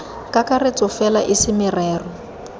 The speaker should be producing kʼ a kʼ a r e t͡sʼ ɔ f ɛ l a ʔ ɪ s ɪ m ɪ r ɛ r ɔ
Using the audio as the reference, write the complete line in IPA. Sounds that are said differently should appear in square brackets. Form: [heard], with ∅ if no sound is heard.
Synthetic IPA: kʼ a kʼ a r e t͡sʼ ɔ f ɛ l a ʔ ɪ s ɪ m ɪ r [ɛː] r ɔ